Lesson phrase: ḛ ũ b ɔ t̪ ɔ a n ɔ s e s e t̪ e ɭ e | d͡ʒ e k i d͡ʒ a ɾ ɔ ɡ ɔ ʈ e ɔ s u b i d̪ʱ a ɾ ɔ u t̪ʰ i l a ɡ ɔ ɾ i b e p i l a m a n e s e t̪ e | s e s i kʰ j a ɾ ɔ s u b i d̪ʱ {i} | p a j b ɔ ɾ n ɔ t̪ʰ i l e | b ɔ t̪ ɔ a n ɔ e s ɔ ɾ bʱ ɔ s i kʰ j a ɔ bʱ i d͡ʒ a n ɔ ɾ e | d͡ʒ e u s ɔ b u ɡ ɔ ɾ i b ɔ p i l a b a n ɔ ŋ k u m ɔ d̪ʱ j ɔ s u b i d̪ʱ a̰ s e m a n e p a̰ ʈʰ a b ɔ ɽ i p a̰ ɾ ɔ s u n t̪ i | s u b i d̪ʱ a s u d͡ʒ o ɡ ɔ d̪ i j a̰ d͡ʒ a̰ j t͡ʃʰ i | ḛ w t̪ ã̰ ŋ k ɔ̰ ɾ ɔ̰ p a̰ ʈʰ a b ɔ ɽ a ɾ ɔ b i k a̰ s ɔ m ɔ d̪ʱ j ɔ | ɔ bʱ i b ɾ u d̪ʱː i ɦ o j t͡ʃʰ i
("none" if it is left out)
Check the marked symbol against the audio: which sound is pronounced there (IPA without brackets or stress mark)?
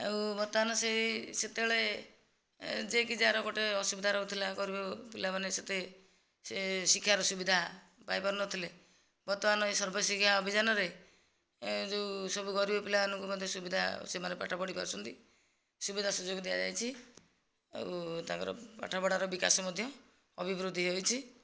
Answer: a